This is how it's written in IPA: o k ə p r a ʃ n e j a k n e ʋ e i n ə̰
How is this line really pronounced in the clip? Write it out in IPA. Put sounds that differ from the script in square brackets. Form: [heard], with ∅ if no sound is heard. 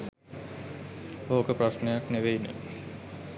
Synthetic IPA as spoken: o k ə p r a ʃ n e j a k n e ʋ e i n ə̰